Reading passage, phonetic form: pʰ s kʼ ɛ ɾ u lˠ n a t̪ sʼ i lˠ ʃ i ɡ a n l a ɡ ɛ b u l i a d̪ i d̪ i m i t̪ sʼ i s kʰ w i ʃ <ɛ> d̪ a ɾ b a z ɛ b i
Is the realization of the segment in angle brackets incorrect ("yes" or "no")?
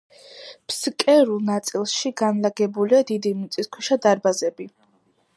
yes